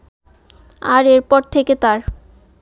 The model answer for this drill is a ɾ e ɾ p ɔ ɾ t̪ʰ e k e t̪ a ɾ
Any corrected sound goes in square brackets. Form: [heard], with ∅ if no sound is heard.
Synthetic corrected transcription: a ɾ e ɾ p ɔ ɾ t̪ʰ e k e t̪ a ɾ